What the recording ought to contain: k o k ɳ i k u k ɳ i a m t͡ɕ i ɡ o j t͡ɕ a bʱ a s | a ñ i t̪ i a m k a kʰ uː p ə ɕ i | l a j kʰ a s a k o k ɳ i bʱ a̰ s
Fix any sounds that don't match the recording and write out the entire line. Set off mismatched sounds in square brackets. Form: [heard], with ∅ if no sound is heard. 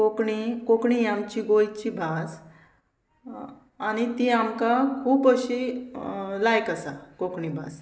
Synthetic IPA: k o k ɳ i k [o] k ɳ i a m t͡ɕ i ɡ o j t͡ɕ [i] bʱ a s | a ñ i t̪ i a m k a kʰ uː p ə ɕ i | l a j [k] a s a k o k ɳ i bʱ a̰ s